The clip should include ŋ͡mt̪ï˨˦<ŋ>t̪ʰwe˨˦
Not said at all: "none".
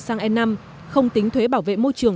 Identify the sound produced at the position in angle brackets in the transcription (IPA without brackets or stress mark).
ŋ